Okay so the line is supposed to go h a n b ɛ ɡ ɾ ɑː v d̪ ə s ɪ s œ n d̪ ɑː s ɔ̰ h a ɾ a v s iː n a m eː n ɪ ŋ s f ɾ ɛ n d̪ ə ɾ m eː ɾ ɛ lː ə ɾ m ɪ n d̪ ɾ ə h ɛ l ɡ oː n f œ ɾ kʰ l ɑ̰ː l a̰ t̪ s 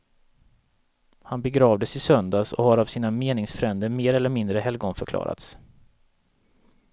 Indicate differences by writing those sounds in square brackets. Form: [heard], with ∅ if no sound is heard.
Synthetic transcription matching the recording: h a n b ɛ ɡ ɾ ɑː v d̪ ə s ɪ s œ n d̪ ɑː s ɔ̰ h a ɾ a v s iː n a m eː n ɪ ŋ s f ɾ ɛ n d̪ ə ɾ m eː ɾ ɛ lː ə ɾ m ɪ n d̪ ɾ ə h ɛ l ɡ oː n f œ ɾ kʰ l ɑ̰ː [ɾ] a̰ t̪ s